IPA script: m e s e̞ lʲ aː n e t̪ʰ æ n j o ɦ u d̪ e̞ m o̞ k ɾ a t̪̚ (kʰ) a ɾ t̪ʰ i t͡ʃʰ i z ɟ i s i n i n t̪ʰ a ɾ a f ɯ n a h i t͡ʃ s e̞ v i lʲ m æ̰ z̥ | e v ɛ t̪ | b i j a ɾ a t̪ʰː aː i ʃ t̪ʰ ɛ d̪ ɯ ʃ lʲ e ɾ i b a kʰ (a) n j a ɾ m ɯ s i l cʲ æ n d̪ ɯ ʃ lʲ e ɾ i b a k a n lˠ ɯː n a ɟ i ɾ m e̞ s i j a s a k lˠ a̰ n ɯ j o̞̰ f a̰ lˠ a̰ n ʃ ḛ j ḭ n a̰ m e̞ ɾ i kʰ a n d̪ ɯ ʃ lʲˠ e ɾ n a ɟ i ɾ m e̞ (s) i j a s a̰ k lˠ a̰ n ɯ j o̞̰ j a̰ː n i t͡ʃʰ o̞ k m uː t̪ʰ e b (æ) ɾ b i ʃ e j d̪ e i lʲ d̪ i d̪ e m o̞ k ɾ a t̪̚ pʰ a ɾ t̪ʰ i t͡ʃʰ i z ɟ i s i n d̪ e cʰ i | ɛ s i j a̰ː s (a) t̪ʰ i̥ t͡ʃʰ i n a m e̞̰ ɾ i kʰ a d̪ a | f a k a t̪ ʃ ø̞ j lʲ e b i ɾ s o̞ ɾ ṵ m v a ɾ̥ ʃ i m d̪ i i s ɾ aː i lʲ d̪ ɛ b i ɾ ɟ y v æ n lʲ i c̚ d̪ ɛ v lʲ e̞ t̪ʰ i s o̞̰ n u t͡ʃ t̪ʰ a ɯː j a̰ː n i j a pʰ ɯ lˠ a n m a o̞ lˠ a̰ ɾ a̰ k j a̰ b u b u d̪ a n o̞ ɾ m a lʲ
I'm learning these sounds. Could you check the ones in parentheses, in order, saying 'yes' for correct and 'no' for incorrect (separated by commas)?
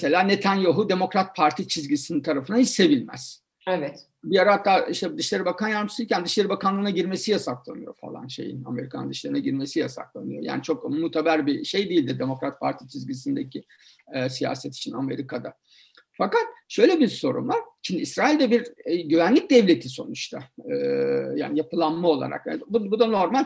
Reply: no, yes, yes, yes, no